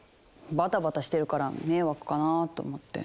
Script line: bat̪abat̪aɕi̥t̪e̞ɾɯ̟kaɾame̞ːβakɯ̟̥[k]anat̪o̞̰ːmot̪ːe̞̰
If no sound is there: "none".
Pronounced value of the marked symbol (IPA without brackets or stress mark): k